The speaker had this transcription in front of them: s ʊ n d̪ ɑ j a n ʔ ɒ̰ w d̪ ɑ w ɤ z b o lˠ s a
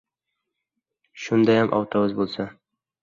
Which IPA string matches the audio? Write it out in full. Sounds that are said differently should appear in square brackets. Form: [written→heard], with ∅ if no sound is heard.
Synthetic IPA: [s→ʃ] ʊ n d̪ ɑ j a [n→m] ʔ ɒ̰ w [d̪→t̪] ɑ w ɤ z b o lˠ s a